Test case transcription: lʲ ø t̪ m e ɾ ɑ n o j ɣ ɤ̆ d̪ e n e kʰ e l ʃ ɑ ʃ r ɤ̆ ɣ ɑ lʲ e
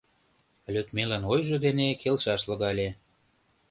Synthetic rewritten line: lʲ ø t̪ m e l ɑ n o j ʒ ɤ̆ d̪ e n e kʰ e l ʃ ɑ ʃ l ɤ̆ ɣ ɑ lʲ e